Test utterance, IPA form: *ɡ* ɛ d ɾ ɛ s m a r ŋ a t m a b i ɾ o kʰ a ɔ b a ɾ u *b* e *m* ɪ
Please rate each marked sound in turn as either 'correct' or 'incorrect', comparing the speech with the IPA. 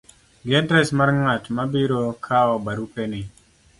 correct, incorrect: p, incorrect: n

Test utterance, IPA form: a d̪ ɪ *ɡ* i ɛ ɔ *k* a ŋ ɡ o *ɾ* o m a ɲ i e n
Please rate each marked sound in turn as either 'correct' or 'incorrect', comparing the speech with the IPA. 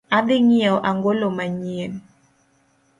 incorrect: ŋ, incorrect: ʔ, incorrect: l

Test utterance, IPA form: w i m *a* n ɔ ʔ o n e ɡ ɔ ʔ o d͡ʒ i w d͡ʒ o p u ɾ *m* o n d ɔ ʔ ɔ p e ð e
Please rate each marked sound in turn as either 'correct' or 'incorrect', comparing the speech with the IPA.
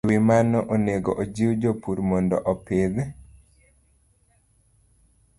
correct, correct

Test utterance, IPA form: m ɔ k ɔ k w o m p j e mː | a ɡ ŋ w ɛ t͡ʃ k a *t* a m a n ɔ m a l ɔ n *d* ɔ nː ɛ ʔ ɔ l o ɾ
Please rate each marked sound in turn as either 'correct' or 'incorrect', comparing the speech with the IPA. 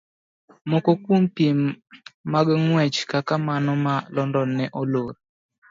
incorrect: k, correct

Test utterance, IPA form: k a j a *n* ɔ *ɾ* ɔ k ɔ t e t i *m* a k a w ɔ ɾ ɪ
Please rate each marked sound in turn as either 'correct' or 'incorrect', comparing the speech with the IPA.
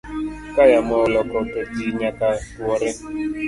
incorrect: m, incorrect: l, incorrect: ɲ

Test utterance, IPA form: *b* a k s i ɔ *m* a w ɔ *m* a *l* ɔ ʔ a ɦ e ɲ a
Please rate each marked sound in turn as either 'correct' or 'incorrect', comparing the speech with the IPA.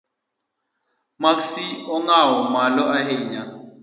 incorrect: m, incorrect: ŋ, correct, correct

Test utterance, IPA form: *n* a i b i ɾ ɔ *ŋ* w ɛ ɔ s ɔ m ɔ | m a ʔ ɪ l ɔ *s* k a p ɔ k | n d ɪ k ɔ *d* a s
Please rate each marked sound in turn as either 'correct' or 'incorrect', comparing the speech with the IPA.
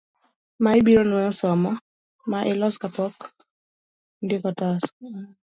incorrect: m, incorrect: n, correct, incorrect: t

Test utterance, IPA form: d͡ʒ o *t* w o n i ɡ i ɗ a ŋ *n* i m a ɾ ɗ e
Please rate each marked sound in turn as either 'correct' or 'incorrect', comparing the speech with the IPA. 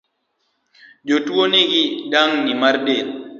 correct, correct

